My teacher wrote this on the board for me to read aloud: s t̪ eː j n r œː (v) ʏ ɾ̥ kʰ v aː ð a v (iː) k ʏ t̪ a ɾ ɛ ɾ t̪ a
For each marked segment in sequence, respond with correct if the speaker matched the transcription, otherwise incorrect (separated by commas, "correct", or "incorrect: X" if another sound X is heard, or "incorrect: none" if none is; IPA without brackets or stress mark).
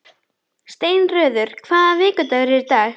incorrect: ð, incorrect: ɪː